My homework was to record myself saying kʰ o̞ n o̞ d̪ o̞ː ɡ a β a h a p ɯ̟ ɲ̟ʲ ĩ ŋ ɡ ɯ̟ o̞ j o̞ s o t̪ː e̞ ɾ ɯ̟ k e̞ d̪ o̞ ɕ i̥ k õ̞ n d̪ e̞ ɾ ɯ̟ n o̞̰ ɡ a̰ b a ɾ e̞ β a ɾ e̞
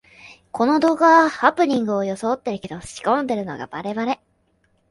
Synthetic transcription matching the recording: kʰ o̞ n o̞ d̪ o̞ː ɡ a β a h a p ɯ̟ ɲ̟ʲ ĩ ŋ ɡ ɯ̟ o̞ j o̞ s o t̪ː e̞ ɾ ɯ̟ k e̞ d̪ o̞ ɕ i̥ k õ̞ n d̪ e̞ ɾ ɯ̟ n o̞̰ ɡ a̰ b a ɾ e̞ β a ɾ e̞